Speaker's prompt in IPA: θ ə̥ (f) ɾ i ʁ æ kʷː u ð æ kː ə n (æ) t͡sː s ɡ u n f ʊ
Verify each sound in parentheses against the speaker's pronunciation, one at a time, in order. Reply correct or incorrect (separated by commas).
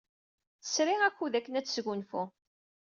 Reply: incorrect, correct